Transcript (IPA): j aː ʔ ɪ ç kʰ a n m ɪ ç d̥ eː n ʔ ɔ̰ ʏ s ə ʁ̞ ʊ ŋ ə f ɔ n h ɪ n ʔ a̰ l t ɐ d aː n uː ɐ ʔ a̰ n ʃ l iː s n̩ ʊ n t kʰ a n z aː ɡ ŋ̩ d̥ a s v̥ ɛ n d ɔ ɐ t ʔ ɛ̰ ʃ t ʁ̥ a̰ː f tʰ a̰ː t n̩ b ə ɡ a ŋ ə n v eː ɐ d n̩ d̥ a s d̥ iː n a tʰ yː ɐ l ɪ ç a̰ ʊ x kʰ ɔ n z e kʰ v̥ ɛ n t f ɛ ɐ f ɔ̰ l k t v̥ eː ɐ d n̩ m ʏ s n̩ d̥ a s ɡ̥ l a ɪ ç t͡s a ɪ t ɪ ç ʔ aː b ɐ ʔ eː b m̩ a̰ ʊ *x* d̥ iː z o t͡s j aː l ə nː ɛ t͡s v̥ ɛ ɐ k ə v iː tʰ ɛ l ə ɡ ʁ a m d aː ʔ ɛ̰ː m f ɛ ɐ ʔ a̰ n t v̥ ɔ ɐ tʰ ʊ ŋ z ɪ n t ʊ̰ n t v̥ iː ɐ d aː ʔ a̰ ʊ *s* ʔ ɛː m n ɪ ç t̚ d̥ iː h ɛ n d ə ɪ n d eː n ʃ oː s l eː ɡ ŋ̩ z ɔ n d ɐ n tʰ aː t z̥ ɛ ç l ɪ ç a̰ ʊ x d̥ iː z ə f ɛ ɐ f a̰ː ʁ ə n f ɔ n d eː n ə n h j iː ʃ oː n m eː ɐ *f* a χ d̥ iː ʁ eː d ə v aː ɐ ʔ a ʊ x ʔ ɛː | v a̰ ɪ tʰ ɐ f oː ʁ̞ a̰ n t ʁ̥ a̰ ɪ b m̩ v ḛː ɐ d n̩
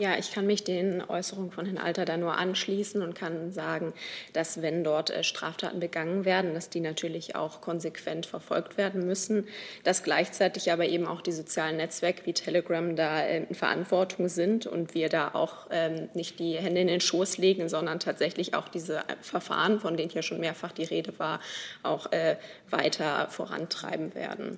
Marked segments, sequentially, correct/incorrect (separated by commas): correct, incorrect, correct